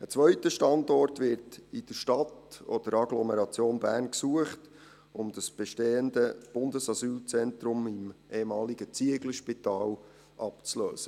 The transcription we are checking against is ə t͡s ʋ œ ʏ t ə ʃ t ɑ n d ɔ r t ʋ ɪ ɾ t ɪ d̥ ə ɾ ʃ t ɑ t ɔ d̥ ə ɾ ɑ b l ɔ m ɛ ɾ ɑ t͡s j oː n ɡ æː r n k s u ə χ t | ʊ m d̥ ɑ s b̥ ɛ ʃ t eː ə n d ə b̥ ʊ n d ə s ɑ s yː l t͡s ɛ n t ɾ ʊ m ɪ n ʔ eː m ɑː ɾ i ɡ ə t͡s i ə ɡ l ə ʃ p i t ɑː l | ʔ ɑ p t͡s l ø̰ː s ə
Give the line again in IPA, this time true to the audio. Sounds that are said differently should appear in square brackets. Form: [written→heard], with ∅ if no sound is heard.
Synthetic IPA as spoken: ə t͡s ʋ œ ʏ t ə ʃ t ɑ n d ɔ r t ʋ ɪ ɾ t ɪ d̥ ə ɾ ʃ t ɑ t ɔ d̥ ə ɾ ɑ [b→ɡ] l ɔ m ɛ ɾ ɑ t͡s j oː n [ɡ→b] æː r n k s u ə χ t | ʊ m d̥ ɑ s b̥ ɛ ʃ t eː ə n d ə b̥ ʊ n d ə s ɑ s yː l t͡s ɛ n t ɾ ʊ m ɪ [n→m] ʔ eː m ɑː [ɾ→l] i ɡ ə t͡s i ə ɡ l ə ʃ p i t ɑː l | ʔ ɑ p t͡s l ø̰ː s ə